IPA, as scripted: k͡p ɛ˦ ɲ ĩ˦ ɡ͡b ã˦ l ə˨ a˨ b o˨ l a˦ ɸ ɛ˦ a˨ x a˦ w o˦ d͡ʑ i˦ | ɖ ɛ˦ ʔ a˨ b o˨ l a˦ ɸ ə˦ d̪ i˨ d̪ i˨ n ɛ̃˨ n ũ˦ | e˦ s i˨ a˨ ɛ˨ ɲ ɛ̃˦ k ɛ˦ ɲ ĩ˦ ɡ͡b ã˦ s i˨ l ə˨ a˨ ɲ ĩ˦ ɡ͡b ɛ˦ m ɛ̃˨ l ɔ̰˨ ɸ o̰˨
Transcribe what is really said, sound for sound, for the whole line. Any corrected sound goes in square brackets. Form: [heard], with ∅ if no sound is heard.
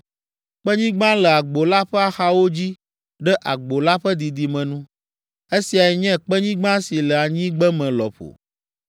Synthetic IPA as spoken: k͡p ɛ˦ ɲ ĩ˦ ɡ͡b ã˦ l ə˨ a˨ [ɡ͡b] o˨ l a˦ ɸ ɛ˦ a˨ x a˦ w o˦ d͡ʑ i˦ | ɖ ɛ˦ ʔ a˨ [ɡ͡b] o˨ l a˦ ɸ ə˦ d̪ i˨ d̪ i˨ [m] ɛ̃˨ n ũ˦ | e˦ s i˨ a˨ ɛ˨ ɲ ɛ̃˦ [k͡p] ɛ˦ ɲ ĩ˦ ɡ͡b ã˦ s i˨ l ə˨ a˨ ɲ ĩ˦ ɡ͡b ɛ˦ m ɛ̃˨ l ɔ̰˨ ɸ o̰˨